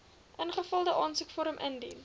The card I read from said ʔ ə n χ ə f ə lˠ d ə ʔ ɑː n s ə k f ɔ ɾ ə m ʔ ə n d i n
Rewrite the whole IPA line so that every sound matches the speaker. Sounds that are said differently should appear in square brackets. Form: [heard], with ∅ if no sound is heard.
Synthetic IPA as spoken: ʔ ə n χ ə f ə lˠ d ə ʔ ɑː n s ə k f ɔ ɾ ə m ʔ ə n d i n